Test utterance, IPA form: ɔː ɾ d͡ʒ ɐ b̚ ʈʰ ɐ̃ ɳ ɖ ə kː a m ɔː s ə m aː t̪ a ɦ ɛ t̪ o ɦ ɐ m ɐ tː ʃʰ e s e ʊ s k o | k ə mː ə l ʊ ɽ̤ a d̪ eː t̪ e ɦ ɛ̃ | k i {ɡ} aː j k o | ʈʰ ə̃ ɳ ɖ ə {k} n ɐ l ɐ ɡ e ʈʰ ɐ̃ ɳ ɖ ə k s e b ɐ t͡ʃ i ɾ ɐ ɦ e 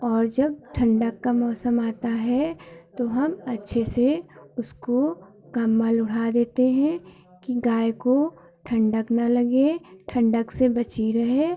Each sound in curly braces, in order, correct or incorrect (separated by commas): correct, correct